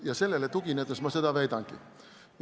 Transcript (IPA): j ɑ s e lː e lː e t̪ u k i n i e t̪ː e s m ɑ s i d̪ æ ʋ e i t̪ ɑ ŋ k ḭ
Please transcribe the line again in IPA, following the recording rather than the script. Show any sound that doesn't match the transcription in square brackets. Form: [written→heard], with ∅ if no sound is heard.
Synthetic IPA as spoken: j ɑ s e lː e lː e t̪ u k i n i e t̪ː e s m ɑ s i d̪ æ ʋ e i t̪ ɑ ŋ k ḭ